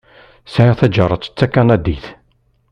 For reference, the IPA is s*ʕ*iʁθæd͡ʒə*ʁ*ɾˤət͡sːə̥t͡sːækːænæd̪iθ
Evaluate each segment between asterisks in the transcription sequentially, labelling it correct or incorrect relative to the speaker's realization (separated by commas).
correct, incorrect